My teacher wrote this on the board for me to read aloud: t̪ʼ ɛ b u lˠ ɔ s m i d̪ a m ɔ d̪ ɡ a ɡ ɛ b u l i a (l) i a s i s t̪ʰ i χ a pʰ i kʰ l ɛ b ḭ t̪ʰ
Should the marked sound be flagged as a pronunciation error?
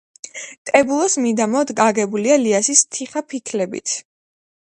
no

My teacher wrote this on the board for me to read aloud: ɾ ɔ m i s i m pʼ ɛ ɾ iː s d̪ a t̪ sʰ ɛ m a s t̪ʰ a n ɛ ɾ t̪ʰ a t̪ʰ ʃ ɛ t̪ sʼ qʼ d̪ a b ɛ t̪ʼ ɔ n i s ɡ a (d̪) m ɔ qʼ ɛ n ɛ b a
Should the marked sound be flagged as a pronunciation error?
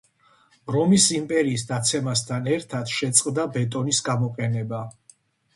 yes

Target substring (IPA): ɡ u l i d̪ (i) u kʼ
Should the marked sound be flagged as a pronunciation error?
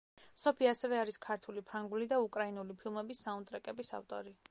yes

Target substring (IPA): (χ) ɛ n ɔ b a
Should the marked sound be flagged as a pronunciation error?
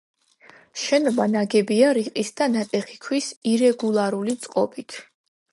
yes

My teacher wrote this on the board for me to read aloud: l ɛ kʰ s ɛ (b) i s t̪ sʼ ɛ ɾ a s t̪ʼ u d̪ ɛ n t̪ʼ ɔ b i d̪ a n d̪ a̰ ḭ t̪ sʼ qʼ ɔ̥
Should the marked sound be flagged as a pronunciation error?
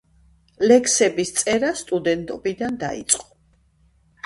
no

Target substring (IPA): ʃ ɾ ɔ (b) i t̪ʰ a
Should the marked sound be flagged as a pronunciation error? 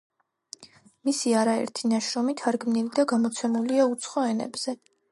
yes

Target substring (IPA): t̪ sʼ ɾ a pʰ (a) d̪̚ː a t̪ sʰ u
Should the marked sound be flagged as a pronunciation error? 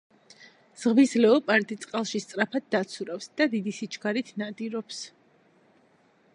no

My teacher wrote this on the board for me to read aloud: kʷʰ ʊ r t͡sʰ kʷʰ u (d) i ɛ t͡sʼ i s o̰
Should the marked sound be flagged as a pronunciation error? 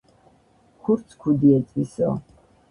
no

